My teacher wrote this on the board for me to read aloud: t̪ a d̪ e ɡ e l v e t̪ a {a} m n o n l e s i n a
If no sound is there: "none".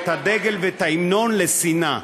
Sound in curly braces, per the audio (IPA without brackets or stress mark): i